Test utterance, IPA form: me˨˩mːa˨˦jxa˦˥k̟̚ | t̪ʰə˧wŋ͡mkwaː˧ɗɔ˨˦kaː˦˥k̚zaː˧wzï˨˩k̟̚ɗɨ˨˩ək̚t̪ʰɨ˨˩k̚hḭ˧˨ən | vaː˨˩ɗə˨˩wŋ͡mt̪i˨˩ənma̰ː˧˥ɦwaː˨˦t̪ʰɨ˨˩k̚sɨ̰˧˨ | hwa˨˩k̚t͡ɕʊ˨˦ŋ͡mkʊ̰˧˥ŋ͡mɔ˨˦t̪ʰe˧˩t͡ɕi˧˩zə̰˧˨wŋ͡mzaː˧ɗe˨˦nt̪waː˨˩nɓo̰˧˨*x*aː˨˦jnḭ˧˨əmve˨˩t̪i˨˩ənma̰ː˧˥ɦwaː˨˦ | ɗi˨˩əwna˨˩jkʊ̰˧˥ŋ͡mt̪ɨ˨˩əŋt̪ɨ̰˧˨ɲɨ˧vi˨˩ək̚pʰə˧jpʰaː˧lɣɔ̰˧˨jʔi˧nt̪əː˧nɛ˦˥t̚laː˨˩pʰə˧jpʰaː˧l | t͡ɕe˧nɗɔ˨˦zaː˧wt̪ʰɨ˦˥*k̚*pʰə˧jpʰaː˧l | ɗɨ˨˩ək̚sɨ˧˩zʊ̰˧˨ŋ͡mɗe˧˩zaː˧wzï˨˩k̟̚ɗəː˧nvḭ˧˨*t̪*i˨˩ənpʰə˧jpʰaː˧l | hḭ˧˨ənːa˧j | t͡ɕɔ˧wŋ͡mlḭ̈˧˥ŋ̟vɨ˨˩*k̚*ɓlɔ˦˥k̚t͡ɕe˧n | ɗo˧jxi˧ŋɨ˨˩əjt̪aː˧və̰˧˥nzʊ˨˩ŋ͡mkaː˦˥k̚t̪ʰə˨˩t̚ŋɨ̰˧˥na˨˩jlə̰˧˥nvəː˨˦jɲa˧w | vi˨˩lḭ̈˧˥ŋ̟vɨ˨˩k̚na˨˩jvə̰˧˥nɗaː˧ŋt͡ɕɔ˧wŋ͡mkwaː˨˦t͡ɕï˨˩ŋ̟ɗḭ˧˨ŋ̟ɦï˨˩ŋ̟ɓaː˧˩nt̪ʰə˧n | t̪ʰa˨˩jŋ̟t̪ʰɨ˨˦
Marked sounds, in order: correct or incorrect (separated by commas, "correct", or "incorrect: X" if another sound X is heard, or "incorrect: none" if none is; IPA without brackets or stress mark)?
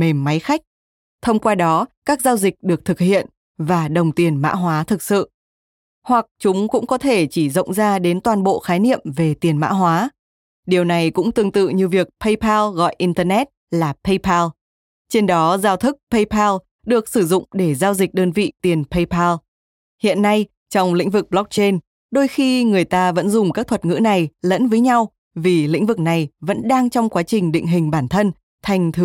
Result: correct, correct, correct, correct